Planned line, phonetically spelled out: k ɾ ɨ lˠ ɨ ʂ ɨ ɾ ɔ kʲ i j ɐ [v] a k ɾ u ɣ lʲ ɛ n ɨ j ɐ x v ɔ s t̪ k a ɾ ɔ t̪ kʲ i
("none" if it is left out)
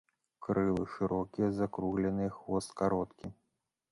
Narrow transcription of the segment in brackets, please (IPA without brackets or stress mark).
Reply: z